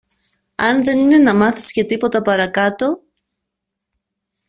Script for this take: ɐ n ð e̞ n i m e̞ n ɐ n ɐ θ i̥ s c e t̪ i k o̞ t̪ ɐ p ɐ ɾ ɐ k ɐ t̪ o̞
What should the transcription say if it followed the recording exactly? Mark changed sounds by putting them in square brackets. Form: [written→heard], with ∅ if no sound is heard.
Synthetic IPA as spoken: ɐ n ð e̞ n i [m→n] e̞ n ɐ [n→m] ɐ θ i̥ s c e t̪ i [k→p] o̞ t̪ ɐ p ɐ ɾ ɐ k ɐ t̪ o̞